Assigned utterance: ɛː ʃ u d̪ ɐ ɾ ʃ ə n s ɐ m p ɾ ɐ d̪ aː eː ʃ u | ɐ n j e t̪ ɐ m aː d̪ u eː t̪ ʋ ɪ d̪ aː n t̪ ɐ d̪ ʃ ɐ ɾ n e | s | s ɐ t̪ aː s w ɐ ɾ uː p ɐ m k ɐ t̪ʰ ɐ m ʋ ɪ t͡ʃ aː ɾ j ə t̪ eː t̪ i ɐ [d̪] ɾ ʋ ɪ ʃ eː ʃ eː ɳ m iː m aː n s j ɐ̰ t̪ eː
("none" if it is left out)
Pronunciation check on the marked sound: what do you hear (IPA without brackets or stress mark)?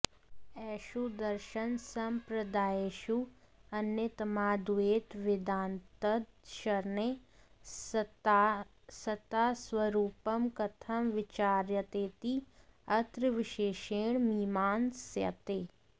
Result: t̪